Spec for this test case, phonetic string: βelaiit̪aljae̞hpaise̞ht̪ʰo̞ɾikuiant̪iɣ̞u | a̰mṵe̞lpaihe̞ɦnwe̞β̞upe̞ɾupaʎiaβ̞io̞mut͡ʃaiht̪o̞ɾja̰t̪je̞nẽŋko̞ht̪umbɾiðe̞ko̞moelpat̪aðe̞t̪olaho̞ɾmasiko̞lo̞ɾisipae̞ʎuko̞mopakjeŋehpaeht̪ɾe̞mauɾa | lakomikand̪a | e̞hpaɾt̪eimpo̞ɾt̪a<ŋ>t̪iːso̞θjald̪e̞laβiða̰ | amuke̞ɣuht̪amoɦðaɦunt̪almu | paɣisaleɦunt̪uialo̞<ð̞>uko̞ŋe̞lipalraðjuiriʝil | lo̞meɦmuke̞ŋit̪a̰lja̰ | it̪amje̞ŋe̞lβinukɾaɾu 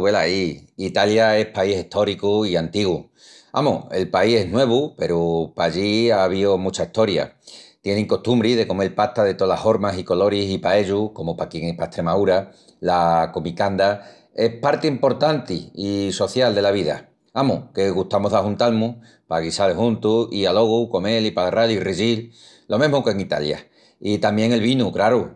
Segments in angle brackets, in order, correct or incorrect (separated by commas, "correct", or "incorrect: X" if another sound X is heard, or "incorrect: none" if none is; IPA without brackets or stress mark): incorrect: n, incorrect: ɣ̞